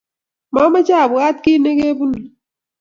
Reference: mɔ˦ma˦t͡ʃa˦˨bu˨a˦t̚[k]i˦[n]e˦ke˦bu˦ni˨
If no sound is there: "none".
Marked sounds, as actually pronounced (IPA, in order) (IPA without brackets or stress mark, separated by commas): k, n